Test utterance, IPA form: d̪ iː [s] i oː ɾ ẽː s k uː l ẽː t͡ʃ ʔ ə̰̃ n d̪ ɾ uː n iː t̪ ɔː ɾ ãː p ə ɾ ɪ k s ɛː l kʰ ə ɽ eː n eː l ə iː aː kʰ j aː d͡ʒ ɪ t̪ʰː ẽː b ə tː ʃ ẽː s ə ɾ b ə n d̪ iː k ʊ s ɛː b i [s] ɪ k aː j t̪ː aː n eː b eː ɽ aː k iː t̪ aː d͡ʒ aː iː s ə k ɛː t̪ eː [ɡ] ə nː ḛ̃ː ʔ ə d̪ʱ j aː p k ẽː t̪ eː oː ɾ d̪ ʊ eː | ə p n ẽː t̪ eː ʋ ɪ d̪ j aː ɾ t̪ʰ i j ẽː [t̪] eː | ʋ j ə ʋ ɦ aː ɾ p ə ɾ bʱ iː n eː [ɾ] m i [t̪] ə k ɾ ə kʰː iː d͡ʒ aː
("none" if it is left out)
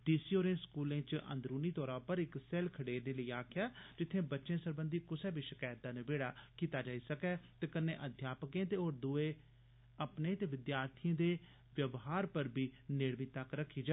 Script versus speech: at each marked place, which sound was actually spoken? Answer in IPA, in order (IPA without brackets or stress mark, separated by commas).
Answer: s, ʃ, k, d̪, ɽ, t̪